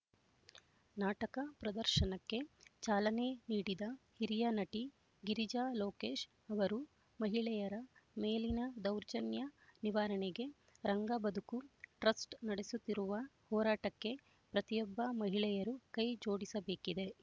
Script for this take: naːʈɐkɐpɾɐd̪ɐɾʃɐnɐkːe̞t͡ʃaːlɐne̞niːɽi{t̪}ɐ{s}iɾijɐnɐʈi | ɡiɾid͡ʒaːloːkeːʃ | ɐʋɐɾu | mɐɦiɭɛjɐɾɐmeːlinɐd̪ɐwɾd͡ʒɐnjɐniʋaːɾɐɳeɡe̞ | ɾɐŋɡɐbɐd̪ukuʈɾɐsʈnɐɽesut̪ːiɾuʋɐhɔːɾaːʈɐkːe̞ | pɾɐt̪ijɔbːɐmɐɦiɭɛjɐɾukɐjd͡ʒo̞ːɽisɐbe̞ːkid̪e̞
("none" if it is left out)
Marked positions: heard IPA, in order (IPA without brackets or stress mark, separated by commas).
d̪, h